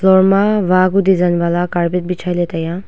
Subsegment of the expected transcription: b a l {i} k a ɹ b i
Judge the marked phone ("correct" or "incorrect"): incorrect